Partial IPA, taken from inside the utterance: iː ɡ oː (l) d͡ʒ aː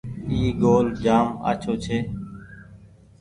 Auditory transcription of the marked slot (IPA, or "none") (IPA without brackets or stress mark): l